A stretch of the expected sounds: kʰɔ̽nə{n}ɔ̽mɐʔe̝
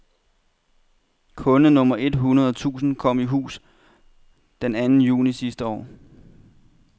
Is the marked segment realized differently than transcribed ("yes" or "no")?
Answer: no